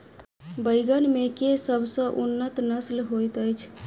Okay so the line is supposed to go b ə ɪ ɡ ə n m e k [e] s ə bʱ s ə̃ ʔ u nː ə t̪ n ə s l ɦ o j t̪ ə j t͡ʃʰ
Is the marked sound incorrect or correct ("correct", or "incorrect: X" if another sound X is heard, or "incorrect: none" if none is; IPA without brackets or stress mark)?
correct